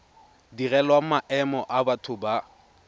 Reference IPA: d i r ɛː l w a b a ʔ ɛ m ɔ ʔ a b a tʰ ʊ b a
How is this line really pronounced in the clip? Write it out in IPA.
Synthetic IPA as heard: d i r ɛ l w a m a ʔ ɛ m ɔ ʔ a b a tʰ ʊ b a